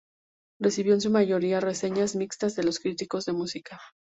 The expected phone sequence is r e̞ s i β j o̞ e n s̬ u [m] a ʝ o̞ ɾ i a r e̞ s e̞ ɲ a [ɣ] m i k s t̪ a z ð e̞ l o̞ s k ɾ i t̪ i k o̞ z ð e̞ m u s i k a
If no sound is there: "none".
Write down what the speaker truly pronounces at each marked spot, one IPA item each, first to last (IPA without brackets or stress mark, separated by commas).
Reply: m, z